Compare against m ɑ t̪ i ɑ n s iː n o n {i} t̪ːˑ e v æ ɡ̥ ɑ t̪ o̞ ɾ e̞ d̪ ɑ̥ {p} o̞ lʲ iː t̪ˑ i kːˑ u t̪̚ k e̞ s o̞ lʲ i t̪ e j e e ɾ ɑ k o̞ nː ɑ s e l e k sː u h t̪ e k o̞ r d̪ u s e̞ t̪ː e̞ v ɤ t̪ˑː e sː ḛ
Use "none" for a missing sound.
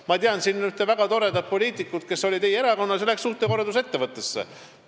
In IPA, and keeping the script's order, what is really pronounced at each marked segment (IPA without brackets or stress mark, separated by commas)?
y, p